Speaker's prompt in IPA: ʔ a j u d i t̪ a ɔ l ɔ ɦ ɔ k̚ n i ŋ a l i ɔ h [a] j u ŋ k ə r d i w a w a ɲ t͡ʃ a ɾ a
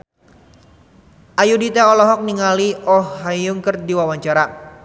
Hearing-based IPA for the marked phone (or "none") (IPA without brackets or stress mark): a